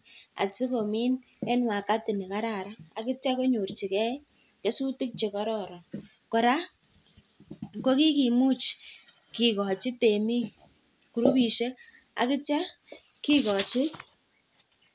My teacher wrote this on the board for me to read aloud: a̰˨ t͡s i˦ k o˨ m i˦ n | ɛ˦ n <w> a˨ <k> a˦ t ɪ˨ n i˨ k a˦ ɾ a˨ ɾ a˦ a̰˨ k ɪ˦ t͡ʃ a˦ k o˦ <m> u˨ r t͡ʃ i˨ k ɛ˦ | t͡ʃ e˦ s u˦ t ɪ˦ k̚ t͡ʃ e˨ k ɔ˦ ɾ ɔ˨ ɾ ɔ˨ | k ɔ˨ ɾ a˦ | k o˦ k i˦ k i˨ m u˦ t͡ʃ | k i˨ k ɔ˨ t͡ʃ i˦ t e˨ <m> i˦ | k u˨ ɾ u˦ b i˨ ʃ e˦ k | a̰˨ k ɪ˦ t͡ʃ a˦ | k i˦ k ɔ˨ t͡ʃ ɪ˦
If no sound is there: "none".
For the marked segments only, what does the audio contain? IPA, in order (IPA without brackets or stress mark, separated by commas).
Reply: w, k, ɲ, m